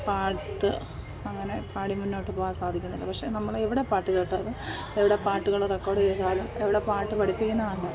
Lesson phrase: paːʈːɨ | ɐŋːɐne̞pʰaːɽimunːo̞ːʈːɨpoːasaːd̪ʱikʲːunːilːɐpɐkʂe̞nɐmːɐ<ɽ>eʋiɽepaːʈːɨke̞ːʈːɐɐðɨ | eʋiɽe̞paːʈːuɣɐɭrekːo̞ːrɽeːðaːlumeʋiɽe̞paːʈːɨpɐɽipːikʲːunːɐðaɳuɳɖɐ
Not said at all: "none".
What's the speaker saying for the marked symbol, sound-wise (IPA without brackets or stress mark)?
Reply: ɭ